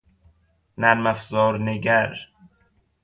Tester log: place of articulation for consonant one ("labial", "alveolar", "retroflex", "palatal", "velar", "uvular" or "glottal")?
alveolar